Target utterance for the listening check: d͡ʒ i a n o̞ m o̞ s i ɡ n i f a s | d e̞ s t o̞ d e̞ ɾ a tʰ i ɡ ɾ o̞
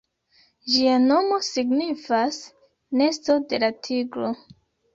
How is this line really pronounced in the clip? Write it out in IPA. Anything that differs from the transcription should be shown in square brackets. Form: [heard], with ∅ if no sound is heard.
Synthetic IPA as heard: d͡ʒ i a n o̞ m o̞ s i ɡ n i f a s | [n] e̞ s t o̞ d e̞ [l] a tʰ i ɡ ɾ o̞

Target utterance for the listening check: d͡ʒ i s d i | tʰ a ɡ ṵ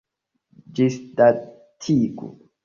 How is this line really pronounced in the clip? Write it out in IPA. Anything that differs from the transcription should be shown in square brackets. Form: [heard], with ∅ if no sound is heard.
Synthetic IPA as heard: d͡ʒ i s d [a] | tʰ [i] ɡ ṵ

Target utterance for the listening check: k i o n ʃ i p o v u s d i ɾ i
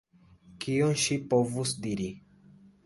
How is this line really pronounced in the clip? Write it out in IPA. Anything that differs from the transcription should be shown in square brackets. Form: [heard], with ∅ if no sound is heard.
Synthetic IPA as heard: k i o n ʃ i p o v u s d i ɾ i

